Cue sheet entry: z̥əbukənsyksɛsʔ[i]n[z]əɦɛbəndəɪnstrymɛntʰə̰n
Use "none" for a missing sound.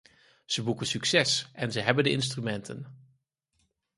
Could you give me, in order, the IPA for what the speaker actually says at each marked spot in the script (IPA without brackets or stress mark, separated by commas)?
ɛ, z